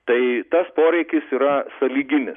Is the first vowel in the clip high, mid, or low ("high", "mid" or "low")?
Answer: low